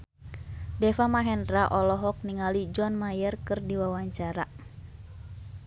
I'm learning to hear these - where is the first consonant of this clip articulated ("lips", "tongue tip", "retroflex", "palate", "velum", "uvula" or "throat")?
tongue tip